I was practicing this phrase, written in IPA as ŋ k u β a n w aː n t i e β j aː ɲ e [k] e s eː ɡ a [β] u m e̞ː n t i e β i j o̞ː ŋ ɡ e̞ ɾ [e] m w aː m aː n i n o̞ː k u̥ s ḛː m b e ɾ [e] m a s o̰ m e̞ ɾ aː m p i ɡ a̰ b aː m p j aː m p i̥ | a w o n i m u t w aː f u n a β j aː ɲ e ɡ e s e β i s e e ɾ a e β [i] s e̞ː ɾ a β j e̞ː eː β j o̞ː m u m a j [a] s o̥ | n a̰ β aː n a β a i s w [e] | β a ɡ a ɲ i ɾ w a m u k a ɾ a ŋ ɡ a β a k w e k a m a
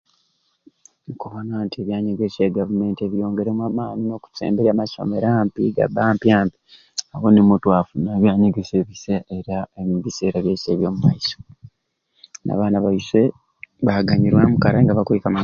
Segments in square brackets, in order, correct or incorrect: incorrect: ɡ, incorrect: v, correct, incorrect: a, correct, incorrect: i, correct

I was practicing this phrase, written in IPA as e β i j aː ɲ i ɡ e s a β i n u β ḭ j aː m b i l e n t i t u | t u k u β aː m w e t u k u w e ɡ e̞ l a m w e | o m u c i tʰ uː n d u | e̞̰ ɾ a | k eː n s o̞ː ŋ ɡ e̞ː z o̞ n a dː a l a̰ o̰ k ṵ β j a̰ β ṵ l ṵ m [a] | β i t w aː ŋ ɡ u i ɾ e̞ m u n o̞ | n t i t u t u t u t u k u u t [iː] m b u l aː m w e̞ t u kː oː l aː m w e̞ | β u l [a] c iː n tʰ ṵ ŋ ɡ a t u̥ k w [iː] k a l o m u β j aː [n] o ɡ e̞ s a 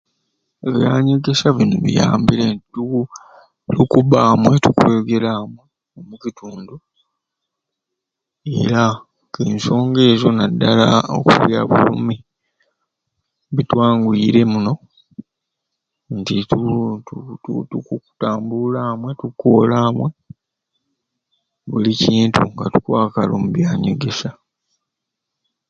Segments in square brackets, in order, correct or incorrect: incorrect: i, incorrect: aː, incorrect: i, incorrect: aː, incorrect: ɲ

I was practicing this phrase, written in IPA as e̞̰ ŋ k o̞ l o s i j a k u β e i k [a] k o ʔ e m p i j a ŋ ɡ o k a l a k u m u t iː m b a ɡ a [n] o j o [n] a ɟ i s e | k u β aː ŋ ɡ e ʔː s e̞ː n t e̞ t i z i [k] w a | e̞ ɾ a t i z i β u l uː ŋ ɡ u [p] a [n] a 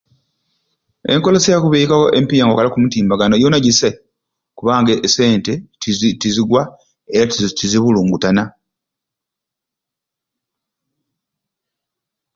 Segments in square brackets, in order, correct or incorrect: correct, correct, correct, incorrect: ɡ, incorrect: t, correct

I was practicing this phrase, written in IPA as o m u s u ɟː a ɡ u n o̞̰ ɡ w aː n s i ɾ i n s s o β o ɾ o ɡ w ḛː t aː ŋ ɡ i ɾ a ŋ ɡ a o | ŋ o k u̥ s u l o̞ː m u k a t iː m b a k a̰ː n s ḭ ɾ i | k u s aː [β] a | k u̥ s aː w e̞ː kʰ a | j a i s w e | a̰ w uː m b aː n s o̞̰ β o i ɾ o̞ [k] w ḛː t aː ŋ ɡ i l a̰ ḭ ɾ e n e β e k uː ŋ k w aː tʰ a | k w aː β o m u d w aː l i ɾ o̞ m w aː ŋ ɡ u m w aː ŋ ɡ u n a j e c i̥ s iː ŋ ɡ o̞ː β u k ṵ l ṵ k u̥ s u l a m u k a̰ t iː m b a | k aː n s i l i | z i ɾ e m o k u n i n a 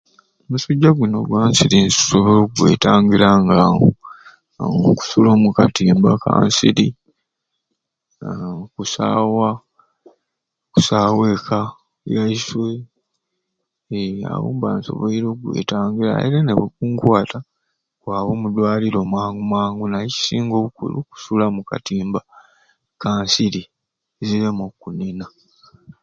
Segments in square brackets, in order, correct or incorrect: incorrect: w, incorrect: ɡ

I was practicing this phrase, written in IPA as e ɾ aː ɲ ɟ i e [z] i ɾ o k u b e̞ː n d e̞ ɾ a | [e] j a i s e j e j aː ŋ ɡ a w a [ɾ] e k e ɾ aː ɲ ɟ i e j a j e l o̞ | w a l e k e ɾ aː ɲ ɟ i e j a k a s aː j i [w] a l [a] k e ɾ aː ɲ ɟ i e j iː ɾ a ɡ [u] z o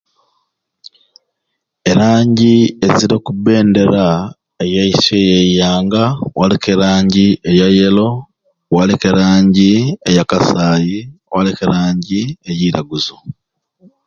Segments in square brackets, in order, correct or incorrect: correct, correct, incorrect: l, correct, incorrect: e, correct

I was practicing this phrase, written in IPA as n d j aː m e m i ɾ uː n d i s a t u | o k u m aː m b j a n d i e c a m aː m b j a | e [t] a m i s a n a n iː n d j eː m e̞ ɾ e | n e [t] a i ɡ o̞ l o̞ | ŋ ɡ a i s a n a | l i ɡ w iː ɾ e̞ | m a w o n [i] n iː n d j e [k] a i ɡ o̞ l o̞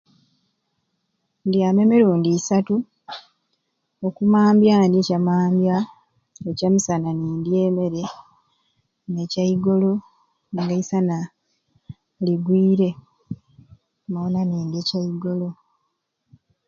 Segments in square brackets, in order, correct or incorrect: incorrect: c, incorrect: c, incorrect: a, incorrect: c

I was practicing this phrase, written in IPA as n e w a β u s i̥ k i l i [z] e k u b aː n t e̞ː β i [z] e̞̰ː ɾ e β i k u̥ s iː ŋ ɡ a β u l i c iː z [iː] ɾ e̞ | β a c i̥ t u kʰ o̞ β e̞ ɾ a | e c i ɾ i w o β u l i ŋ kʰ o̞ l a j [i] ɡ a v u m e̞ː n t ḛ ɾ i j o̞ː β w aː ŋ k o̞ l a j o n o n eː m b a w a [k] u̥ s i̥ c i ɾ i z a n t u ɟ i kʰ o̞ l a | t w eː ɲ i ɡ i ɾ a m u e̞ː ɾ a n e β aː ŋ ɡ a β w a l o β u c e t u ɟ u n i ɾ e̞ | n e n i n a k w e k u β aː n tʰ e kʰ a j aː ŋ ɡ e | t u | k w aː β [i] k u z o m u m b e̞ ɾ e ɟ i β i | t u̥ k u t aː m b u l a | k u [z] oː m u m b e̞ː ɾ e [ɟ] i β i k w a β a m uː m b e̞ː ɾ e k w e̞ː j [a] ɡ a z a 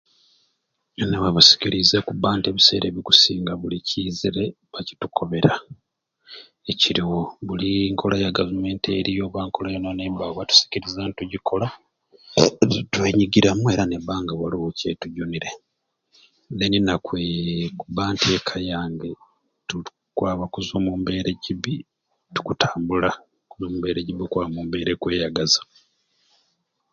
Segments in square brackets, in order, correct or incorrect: correct, incorrect: s, incorrect: i, incorrect: a, incorrect: t, incorrect: a, correct, correct, correct

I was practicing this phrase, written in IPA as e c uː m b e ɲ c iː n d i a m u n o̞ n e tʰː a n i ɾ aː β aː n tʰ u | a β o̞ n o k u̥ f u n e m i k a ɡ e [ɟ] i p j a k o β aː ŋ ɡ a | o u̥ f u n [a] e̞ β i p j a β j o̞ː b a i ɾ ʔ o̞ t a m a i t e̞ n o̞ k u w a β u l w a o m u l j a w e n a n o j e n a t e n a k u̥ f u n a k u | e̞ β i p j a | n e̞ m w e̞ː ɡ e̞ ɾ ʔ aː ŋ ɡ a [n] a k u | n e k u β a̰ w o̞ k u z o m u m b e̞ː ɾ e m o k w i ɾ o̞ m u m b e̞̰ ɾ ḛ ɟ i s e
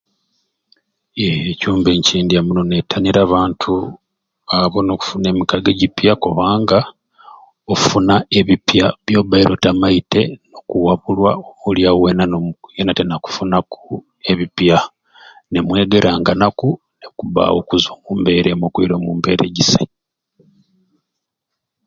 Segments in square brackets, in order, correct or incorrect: correct, correct, correct

